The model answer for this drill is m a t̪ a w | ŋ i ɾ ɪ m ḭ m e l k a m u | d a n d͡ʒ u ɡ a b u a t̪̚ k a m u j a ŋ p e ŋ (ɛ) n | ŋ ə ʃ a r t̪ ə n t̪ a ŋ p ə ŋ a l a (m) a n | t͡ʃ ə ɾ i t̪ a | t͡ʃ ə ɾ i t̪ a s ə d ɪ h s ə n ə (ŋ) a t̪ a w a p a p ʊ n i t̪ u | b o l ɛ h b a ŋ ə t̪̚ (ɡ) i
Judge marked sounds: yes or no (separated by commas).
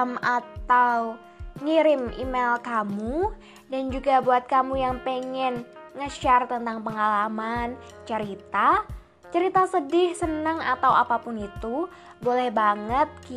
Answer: yes, yes, yes, no